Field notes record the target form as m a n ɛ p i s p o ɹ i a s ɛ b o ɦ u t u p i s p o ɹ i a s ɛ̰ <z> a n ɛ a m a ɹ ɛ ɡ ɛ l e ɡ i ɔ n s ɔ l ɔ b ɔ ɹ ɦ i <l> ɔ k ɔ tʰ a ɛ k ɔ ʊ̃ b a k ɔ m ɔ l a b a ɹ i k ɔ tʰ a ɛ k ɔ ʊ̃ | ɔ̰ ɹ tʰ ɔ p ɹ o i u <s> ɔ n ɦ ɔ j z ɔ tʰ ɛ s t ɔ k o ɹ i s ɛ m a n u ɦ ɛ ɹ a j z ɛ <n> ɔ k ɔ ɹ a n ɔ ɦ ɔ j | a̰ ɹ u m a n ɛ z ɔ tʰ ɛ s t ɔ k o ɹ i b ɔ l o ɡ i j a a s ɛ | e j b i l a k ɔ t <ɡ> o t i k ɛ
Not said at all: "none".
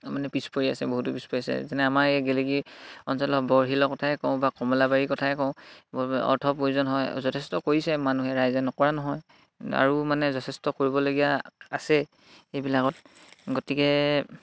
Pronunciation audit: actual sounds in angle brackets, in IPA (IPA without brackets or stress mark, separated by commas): z, l, z, n, ɡ